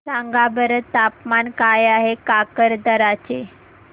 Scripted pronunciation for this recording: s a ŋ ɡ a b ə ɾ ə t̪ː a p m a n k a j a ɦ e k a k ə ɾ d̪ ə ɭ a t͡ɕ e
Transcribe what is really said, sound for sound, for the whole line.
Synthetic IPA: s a ŋ ɡ a b ə ɾ ə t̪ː a p m a n k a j a ɦ e k a k ə ɾ d̪ ə ɾ a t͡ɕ e